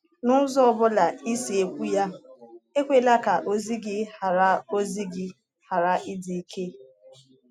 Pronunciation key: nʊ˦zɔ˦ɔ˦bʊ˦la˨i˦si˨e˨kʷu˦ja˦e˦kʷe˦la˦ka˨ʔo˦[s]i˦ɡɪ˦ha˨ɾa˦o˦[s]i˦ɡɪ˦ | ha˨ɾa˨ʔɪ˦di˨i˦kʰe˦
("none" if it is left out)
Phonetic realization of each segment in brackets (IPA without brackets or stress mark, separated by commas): z, z